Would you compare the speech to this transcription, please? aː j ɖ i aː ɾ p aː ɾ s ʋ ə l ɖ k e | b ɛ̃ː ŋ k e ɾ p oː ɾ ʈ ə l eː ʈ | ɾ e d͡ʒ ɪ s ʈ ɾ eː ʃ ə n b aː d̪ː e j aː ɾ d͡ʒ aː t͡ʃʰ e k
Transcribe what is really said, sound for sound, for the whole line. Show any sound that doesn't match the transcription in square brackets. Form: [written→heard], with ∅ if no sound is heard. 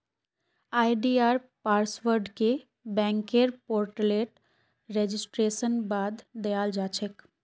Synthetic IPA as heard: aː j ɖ i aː ɾ p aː ɾ s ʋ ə [l→ɾ] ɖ k e | b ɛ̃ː ŋ k e ɾ p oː ɾ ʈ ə l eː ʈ | ɾ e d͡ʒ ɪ s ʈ ɾ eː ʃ ə n b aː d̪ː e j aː [ɾ→l] d͡ʒ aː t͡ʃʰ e k

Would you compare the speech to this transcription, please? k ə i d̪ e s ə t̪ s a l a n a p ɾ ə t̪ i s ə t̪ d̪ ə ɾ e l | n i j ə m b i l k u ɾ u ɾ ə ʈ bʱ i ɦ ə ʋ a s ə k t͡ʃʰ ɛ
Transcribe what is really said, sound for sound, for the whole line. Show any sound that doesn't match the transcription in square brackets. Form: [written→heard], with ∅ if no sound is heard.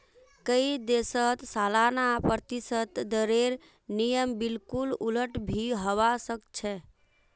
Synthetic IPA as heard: k ə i d̪ e s ə t̪ s a l a n a p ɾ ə t̪ i s ə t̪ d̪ ə ɾ e [l→ɾ] | n i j ə m b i l k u [ɾ→l] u [ɾ→l] ə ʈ bʱ i ɦ ə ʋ a s ə k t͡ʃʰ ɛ

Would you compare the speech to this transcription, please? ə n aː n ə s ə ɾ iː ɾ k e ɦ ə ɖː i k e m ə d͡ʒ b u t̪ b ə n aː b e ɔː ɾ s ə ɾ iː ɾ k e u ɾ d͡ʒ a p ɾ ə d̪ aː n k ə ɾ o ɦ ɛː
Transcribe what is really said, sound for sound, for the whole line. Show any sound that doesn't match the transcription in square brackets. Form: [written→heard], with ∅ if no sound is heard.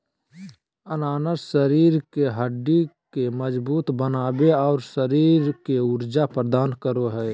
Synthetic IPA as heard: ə n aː n ə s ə ɾ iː ɾ k e ɦ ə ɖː i k e m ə d͡ʒ b [u→uː] t̪ b ə n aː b e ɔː ɾ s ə ɾ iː ɾ k e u ɾ d͡ʒ a p ɾ ə d̪ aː n k ə ɾ o ɦ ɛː

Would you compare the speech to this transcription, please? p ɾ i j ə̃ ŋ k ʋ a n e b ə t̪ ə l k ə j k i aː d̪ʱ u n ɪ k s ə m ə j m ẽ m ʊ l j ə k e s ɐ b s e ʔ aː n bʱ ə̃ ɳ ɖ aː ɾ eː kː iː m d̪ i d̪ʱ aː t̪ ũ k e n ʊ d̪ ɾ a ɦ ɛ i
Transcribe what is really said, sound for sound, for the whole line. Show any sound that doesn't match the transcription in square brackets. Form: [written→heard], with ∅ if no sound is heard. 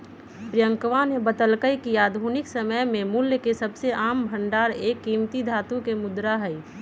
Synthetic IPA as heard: p ɾ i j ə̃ ŋ k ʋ a n e b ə t̪ ə l k ə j k i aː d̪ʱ u n ɪ k s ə m ə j m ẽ m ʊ l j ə k e s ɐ b s e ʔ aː [n→m] bʱ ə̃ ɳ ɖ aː ɾ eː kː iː m [d̪→t̪] i d̪ʱ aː t̪ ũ k e [n→m] ʊ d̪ ɾ a ɦ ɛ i

